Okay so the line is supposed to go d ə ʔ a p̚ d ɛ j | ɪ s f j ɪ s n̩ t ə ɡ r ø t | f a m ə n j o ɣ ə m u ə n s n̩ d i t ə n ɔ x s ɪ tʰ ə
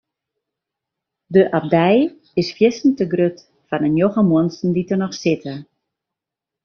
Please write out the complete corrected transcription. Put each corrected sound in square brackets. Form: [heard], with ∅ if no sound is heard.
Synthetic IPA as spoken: d ə ʔ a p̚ d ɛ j | ɪ s f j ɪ s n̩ t ə ɡ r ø t | f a [n] ə n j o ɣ ə m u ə n s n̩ d i t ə n ɔ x s ɪ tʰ ə